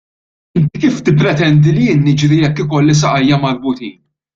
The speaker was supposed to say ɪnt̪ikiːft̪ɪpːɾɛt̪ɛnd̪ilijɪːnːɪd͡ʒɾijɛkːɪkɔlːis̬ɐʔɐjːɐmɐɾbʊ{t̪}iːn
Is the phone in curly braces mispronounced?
no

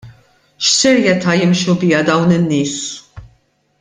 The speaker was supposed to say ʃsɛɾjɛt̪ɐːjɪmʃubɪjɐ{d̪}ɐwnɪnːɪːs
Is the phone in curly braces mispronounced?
no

